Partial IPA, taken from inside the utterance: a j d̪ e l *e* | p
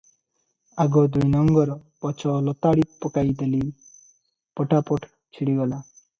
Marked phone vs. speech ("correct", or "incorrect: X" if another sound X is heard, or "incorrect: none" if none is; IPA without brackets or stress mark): incorrect: i